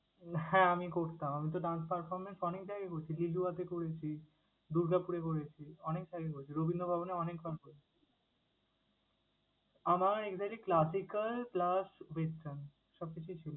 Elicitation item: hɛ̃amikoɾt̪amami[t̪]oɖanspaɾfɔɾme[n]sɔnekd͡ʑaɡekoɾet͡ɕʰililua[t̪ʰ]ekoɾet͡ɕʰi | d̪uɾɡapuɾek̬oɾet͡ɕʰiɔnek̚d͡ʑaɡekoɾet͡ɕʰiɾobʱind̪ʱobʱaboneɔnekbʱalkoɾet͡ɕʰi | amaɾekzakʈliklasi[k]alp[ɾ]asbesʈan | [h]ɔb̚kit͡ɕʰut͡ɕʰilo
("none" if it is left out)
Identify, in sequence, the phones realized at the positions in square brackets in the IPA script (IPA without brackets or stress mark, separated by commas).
t̪, n, t̪, k, l, ʃ